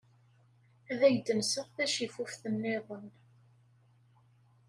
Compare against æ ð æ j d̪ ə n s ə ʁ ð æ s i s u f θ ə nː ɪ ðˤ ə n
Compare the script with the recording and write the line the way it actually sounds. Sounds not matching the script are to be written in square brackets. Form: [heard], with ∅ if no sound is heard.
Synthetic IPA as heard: æ ð æ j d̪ ə n s ə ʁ [θ] æ [ʃ] i [f] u f θ ə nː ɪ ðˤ ə n

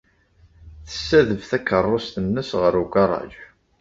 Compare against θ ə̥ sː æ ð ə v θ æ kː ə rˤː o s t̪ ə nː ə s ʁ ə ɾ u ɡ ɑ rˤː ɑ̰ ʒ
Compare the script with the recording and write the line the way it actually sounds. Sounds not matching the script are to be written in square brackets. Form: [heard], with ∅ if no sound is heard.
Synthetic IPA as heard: θ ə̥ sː æ ð ə v θ æ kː ə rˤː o s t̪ ə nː ə s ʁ ə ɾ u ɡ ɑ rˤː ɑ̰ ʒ

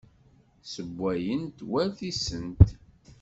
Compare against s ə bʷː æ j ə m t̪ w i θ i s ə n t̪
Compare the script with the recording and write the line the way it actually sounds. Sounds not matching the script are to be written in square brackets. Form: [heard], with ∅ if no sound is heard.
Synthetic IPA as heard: s ə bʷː æ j ə [n] t̪ w [æ] θ i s ə n t̪

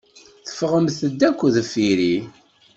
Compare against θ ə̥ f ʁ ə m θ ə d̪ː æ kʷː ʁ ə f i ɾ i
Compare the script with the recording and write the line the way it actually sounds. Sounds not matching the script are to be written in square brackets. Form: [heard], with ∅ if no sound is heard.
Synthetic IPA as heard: θ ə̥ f ʁ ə m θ ə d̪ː æ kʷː [ð] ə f i ɾ i

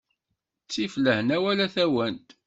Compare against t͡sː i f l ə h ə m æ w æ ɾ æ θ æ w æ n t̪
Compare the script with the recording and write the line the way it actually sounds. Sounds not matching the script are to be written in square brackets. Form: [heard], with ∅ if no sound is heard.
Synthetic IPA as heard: t͡sː i f l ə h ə [n] æ w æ [l] æ θ æ w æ n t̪

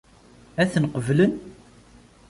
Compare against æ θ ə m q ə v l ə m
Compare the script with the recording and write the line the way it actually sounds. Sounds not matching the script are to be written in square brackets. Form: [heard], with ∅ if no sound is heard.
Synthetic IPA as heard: æ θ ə [n] q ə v l ə [n]

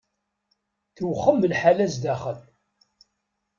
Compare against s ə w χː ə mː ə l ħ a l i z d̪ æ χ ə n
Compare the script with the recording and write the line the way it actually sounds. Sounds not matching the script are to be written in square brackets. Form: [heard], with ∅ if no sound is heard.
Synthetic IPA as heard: [θ] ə w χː ə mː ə l ħ a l [æ] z d̪ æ χ ə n

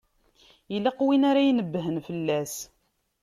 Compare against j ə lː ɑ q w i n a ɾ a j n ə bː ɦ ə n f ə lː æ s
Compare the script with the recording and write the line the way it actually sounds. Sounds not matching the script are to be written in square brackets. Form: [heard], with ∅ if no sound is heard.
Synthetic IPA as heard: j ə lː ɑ q w i n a ɾ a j n ə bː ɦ ə n f ə lː æ s

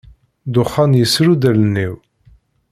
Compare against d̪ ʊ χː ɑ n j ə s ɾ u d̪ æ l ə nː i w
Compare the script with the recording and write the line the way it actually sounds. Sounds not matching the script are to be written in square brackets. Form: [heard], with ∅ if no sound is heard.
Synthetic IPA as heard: d̪ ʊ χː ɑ n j ə s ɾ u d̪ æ l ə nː i w

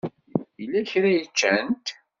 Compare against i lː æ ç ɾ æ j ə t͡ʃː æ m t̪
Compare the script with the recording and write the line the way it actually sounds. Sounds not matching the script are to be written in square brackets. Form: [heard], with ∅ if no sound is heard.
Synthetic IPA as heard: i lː æ ç ɾ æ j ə t͡ʃː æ [n] t̪

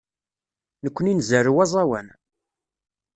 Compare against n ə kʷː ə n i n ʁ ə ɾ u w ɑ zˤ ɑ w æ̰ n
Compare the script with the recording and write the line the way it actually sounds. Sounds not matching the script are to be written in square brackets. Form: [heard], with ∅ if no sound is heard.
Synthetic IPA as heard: n ə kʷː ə n i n [z] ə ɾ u w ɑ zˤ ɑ w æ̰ n

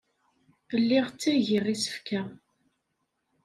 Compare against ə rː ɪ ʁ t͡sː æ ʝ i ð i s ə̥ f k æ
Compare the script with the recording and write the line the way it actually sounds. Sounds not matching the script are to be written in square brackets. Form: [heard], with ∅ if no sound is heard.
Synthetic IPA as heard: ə [lː] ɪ ʁ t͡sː æ ʝ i [ʁ] i s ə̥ f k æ

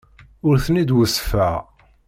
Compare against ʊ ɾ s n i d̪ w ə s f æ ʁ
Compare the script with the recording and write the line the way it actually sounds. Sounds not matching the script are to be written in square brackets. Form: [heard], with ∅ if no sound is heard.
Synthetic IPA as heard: ʊ ɾ [θ] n i d̪ w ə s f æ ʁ

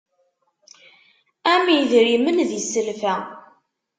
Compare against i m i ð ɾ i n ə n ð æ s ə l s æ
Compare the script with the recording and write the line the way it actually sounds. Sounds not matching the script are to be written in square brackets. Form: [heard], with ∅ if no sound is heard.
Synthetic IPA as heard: [æ] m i ð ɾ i [m] ə n ð [i] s ə l [f] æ

